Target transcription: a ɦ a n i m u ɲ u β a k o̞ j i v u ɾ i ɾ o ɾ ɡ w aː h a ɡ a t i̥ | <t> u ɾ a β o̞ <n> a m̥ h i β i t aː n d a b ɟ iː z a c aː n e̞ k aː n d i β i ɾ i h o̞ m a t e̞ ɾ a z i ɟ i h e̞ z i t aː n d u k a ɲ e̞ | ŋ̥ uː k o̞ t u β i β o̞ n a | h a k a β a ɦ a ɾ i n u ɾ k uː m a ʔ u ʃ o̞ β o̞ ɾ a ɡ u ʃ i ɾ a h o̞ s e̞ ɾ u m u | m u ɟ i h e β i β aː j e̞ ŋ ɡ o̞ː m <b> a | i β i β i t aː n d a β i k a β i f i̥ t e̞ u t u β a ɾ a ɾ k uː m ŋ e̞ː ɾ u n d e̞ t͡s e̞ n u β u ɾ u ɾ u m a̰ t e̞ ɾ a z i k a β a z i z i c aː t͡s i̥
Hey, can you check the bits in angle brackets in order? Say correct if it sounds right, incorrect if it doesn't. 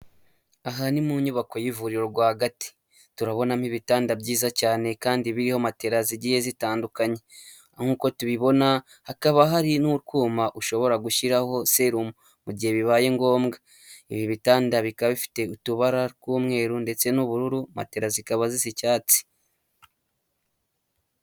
correct, correct, incorrect

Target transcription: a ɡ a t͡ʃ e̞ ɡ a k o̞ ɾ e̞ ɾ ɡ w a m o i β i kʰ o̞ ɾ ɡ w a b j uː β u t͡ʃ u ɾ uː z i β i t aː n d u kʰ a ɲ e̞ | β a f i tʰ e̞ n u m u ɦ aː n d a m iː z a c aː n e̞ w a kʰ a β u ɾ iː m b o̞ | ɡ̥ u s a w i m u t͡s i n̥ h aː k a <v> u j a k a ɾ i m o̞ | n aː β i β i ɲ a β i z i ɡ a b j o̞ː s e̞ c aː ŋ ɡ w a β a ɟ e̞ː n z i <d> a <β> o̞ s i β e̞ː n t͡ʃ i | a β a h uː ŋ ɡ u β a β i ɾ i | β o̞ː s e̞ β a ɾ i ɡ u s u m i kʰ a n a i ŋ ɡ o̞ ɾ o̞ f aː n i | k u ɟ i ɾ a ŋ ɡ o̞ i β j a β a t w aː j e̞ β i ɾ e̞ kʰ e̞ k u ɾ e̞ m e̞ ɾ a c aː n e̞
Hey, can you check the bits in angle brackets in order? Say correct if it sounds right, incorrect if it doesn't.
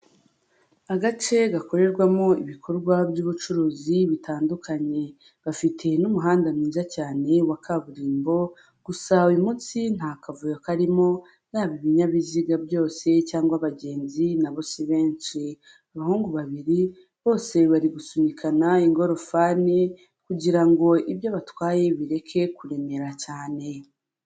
correct, incorrect, correct

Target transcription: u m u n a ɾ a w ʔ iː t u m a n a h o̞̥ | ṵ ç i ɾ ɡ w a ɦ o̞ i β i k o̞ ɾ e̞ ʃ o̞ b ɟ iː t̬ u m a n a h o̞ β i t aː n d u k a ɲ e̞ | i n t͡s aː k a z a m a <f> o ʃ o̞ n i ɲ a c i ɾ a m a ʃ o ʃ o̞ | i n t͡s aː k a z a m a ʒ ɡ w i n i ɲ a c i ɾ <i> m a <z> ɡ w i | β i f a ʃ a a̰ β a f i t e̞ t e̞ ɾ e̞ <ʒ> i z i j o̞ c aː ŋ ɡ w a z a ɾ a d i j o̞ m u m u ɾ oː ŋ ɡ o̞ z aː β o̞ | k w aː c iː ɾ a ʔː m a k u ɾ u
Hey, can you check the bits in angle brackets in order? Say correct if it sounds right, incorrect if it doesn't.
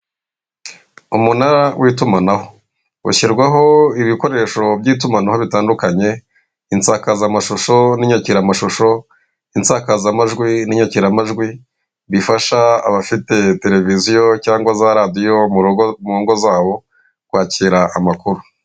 incorrect, incorrect, incorrect, incorrect

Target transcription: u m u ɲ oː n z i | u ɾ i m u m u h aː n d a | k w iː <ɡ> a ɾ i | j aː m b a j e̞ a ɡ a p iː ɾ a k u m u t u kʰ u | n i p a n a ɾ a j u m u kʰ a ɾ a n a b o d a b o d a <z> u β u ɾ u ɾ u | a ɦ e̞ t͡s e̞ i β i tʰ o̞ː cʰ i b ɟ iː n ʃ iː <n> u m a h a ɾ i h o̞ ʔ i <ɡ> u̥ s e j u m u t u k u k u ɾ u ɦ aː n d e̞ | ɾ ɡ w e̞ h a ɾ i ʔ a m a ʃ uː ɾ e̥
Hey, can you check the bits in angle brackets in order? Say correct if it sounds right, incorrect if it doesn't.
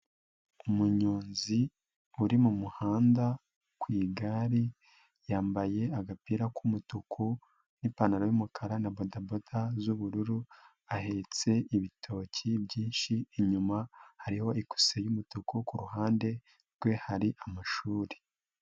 correct, correct, incorrect, incorrect

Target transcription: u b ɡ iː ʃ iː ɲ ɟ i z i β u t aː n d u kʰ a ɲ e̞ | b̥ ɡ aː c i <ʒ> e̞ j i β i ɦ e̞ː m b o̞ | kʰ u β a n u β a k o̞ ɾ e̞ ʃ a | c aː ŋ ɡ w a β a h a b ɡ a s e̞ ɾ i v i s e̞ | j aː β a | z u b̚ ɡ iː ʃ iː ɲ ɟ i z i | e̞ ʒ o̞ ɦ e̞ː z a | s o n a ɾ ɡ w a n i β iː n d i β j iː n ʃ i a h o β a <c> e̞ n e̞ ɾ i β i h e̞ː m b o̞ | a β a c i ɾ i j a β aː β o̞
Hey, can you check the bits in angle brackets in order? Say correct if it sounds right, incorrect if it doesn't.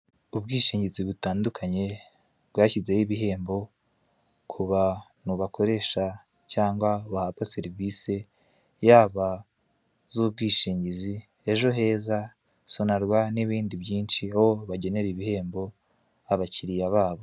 incorrect, incorrect

